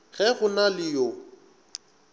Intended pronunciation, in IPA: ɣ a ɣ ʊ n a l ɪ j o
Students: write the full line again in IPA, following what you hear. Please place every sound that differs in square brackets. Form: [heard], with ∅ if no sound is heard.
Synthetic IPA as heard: ɣ [ɛ] ɣ ʊ n a l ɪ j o